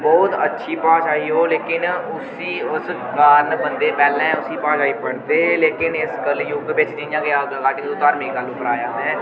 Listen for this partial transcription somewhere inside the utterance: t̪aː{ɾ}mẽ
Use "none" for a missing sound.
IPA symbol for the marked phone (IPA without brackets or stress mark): ɾ